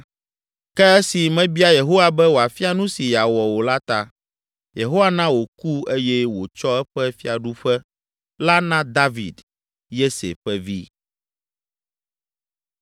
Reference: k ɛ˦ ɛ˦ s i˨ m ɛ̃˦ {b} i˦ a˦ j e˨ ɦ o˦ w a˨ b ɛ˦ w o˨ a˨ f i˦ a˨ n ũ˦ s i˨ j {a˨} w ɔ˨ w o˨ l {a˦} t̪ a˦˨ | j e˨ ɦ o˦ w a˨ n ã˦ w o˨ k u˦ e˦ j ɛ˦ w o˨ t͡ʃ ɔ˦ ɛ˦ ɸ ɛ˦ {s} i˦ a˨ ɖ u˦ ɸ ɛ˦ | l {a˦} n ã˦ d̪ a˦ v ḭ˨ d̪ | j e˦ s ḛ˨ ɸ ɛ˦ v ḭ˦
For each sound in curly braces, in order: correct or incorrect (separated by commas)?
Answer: correct, correct, correct, incorrect, correct